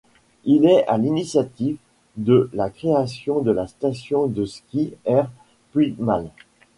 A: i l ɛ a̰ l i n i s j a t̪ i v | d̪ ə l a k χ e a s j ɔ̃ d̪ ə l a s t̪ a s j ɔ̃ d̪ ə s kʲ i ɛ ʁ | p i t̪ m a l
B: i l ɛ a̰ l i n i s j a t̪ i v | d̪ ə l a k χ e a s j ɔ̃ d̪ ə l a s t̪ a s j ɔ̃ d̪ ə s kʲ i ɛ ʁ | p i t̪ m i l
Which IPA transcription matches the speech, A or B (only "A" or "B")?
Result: A